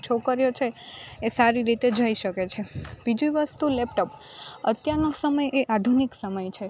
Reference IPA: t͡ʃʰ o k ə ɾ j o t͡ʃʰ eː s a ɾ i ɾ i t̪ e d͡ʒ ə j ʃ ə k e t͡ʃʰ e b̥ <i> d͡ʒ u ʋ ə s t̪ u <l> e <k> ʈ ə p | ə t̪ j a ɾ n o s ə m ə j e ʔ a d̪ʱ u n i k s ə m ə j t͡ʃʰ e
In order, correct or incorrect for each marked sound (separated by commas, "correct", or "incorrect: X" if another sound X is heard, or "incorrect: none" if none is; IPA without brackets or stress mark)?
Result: correct, correct, incorrect: p